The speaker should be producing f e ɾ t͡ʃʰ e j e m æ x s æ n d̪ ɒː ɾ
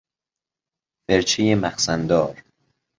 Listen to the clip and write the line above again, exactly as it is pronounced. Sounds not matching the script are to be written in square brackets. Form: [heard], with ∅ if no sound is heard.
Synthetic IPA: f e ɾ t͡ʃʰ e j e m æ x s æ n d̪ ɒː ɾ